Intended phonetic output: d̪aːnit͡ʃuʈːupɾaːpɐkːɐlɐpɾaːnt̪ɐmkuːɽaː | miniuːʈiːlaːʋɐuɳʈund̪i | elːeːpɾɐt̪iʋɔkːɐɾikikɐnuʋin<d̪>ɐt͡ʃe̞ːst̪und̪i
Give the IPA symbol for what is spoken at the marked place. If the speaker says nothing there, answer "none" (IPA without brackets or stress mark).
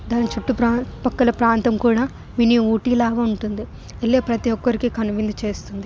d̪